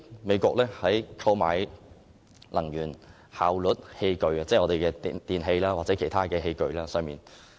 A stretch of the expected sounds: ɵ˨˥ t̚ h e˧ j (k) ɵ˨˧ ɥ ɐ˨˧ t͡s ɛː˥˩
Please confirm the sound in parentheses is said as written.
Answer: yes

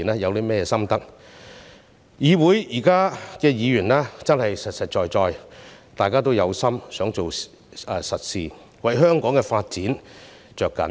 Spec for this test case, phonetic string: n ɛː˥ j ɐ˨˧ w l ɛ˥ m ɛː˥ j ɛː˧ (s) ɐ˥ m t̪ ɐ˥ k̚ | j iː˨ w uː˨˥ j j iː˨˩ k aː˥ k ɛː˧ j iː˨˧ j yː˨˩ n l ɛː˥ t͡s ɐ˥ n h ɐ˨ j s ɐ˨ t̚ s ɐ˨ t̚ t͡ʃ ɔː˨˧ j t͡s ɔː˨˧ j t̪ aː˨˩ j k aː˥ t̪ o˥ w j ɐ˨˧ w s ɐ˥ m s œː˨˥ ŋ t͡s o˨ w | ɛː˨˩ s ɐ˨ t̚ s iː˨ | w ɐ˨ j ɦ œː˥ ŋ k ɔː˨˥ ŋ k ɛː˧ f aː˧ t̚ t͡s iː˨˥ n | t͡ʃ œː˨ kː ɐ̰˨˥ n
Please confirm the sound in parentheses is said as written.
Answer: yes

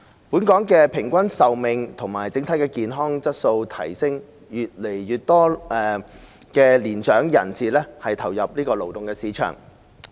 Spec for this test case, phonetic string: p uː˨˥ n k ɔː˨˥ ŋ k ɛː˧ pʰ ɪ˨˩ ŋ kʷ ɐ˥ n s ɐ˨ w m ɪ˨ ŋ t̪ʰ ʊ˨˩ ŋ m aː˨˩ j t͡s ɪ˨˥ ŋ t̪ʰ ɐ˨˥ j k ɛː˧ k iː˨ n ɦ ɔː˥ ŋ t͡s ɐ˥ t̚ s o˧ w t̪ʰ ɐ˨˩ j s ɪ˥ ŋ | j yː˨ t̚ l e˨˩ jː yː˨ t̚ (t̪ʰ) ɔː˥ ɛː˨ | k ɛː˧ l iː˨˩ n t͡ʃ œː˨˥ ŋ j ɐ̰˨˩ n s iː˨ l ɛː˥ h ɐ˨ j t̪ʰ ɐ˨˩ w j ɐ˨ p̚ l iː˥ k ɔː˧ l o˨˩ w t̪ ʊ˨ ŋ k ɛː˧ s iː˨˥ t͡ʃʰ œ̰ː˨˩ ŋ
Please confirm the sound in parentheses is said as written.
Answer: no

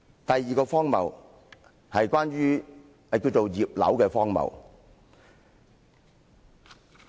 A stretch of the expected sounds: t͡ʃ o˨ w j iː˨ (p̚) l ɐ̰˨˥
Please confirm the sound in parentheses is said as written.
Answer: yes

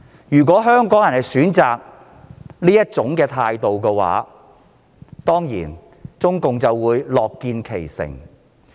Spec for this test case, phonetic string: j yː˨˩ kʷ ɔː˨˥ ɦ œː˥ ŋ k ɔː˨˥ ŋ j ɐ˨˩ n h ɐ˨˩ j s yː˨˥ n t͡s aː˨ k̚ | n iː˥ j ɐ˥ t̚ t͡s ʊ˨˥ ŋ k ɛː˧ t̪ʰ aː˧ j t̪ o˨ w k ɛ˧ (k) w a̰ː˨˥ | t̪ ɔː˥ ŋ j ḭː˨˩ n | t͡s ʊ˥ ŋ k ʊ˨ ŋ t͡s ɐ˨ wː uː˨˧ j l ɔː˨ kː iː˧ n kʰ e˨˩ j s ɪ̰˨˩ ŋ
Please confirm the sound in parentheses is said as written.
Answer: no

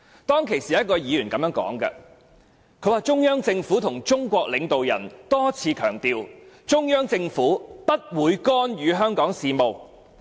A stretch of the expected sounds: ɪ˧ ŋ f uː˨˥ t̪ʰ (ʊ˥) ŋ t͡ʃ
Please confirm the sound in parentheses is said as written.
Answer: no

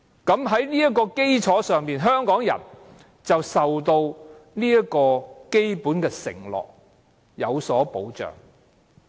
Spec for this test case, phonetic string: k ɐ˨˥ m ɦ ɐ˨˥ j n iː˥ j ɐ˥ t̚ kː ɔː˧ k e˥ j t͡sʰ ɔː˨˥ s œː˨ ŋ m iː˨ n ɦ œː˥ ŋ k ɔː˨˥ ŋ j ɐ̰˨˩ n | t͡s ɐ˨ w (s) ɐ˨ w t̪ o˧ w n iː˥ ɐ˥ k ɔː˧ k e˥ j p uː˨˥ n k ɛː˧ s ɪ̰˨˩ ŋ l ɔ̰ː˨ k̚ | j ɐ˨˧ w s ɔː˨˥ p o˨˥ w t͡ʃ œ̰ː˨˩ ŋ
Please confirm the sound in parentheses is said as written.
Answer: yes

